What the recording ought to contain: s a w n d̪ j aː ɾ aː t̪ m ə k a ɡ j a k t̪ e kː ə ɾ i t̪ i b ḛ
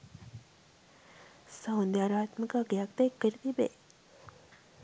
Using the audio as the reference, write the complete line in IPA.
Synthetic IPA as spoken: s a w n d̪ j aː ɾ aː t̪ m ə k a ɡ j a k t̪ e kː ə ɾ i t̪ i b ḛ